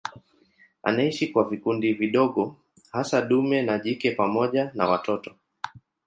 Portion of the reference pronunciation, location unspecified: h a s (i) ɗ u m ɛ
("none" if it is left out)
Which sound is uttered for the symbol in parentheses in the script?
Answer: a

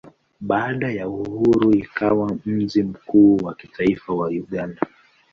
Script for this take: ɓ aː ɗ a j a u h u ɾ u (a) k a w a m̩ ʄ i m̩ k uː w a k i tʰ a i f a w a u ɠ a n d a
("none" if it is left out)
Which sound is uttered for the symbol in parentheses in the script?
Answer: i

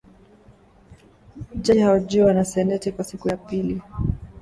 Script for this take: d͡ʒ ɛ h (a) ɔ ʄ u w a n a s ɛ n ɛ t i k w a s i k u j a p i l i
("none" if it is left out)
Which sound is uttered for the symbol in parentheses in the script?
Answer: a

